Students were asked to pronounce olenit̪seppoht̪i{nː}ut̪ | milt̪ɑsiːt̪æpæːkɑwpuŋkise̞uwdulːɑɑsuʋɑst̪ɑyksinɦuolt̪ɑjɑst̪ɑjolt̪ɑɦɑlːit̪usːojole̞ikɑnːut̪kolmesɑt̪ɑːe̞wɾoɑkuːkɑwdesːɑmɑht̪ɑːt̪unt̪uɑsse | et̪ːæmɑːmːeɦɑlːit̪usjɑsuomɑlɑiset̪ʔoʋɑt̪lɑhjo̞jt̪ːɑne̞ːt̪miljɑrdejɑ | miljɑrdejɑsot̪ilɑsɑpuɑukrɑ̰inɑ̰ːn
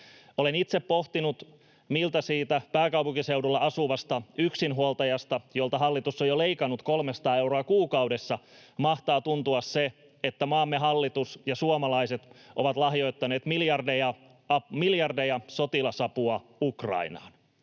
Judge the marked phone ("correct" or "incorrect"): incorrect